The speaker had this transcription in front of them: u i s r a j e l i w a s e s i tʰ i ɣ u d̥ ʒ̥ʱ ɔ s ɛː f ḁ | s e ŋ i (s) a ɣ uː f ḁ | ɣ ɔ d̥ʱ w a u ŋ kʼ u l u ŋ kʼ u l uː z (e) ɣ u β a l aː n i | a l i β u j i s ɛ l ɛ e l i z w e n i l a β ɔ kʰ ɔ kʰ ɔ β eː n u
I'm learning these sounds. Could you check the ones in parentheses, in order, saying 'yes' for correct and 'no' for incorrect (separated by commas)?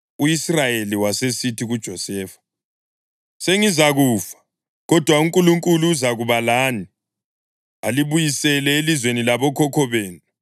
no, no